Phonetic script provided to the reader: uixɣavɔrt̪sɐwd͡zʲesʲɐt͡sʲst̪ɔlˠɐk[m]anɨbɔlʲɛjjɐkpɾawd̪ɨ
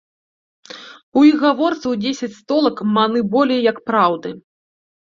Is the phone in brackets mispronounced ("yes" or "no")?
no